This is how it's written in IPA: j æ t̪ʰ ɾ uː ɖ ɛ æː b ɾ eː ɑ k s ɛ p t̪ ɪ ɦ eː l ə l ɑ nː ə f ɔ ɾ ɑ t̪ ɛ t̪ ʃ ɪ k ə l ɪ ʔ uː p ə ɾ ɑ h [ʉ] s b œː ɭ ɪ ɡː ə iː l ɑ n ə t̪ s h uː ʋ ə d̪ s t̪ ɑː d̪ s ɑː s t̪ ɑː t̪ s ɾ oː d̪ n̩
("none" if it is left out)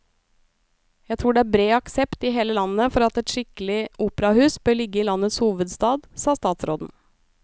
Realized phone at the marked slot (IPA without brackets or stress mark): ʉː